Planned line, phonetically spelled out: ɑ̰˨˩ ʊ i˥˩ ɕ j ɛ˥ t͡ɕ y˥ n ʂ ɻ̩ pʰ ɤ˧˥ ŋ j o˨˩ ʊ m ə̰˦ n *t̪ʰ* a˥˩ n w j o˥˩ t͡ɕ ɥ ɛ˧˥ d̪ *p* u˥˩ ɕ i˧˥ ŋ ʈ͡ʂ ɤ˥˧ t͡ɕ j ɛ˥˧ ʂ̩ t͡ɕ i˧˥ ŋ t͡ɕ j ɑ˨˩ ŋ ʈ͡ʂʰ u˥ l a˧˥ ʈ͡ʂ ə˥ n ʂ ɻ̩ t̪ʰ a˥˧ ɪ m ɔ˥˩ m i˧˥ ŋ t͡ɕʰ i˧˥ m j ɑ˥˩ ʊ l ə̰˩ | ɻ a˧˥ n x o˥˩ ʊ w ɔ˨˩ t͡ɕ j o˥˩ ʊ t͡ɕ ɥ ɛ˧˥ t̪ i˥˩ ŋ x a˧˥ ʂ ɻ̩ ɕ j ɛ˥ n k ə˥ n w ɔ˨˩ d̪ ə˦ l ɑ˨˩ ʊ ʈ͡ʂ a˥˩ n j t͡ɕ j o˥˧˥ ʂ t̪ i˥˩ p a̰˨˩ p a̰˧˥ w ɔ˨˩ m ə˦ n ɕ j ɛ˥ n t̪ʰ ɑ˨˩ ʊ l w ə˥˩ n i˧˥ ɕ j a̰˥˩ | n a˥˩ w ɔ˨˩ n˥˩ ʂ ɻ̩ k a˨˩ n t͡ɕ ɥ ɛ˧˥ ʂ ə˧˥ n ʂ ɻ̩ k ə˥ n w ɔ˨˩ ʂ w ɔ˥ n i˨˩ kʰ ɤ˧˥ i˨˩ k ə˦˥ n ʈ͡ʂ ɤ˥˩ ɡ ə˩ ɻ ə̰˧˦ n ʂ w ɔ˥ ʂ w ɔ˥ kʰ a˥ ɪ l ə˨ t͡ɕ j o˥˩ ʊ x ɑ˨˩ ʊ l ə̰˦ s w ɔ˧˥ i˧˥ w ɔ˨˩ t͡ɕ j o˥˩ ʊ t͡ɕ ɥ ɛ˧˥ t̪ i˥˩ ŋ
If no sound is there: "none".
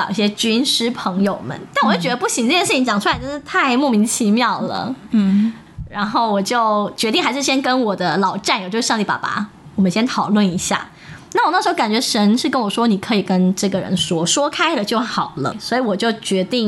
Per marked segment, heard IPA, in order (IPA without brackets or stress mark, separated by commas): t̪, p